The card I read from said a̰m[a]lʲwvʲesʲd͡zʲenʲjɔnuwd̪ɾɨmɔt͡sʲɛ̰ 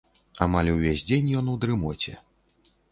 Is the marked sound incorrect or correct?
correct